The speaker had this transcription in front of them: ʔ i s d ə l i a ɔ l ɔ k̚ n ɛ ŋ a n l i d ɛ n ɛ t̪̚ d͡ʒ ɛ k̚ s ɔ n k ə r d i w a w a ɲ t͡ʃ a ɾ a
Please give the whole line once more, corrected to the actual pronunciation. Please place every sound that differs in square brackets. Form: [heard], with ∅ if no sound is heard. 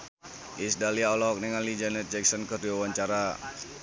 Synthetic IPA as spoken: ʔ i s d [a] l i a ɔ l ɔ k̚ n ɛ ŋ a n l i [d͡ʒ] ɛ n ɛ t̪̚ d͡ʒ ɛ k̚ s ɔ n k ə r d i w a w a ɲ t͡ʃ a ɾ a